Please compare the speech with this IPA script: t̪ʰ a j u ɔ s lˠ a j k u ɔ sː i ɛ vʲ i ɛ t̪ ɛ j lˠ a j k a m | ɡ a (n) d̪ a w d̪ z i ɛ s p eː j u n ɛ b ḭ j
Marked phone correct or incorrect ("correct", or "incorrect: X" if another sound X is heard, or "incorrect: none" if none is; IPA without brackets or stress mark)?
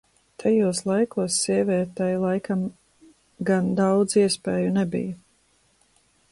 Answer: correct